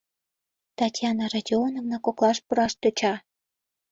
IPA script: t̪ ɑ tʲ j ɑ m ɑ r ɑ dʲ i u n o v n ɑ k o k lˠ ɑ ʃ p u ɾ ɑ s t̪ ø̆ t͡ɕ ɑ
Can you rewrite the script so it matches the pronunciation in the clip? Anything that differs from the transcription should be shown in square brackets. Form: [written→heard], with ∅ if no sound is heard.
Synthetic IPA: t̪ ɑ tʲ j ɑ [m→n] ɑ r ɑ dʲ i [u→o] n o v n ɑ k o k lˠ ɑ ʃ p u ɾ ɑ [s→ʃ] t̪ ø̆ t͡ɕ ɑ